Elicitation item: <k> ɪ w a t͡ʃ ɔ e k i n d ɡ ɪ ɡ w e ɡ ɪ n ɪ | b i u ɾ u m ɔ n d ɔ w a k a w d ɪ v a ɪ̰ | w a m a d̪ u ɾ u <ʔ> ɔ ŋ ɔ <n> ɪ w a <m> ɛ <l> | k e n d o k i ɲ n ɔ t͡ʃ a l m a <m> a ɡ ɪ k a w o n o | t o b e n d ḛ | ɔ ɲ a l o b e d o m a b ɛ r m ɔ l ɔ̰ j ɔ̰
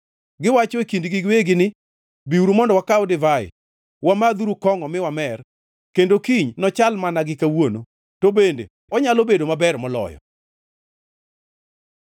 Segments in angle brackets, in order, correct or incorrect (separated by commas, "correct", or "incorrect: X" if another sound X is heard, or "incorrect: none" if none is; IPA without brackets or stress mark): incorrect: ɡ, incorrect: k, incorrect: m, correct, incorrect: r, incorrect: n